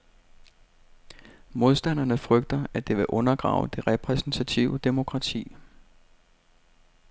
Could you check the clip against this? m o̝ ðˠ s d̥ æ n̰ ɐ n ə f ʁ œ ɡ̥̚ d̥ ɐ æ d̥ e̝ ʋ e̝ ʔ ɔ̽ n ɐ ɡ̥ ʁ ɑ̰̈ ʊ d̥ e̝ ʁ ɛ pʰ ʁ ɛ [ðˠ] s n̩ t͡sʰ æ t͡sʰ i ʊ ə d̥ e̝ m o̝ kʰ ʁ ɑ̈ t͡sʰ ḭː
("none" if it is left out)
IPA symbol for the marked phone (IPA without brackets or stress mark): none